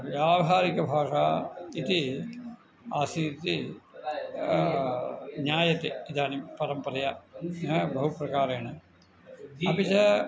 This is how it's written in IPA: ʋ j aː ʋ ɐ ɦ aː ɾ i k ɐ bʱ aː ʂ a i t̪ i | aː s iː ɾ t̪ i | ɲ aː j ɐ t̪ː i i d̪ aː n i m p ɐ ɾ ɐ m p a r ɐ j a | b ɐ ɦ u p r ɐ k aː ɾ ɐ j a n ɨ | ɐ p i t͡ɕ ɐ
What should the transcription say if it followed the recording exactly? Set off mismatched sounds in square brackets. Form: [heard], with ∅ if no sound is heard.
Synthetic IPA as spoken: ʋ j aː ʋ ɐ ɦ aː ɾ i k ɐ bʱ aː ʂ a i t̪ i | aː s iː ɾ t̪ i | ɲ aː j ɐ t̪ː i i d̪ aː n i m p ɐ ɾ ɐ m p [ɐ] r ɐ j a | b ɐ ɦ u p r ɐ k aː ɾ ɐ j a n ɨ | ɐ p i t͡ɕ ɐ